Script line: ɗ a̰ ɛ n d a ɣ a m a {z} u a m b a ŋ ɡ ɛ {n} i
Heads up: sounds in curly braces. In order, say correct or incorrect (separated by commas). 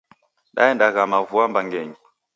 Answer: incorrect, incorrect